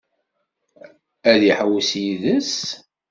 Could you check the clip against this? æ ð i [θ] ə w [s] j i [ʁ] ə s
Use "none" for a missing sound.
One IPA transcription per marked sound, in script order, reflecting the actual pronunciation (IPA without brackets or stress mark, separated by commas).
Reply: ħ, s, ð